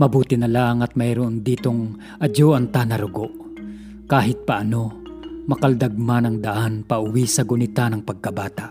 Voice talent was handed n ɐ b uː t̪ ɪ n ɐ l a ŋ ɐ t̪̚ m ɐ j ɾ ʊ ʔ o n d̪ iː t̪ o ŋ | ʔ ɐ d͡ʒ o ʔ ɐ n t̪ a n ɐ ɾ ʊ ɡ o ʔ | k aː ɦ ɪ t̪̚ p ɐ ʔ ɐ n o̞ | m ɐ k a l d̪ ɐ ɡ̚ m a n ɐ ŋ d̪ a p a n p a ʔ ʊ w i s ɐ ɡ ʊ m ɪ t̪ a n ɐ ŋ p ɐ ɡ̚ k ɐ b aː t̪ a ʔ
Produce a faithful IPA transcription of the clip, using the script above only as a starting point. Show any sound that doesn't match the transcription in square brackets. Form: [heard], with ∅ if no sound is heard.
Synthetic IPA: [m] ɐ b uː t̪ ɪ n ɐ l a ŋ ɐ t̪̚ m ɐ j ɾ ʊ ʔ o n d̪ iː t̪ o ŋ | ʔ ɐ d͡ʒ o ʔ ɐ n t̪ a n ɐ ɾ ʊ ɡ o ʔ | k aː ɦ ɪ t̪̚ p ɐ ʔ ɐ n o̞ | m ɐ k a l d̪ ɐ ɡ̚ m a n ɐ ŋ d̪ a [ʔ] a n p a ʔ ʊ w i s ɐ ɡ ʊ [n] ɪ t̪ a n ɐ ŋ p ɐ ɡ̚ k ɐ b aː t̪ a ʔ